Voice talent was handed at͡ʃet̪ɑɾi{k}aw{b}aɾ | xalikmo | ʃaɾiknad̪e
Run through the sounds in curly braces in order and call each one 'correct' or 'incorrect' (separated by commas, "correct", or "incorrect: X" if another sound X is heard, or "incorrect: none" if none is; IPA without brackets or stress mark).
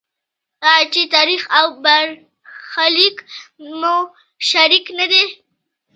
incorrect: x, correct